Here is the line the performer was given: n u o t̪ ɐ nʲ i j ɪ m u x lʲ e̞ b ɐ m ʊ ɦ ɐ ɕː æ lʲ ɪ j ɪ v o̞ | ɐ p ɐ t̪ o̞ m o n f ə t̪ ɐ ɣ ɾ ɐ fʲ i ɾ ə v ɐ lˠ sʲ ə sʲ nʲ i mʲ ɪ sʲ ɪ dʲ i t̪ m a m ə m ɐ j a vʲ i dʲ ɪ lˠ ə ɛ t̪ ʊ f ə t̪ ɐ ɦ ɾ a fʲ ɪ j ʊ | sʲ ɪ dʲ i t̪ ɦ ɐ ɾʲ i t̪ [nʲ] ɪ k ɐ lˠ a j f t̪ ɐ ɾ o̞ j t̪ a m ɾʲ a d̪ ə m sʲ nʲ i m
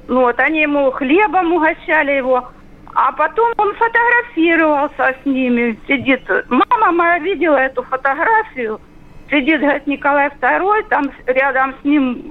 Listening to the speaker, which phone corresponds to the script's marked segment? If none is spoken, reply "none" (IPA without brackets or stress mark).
nʲ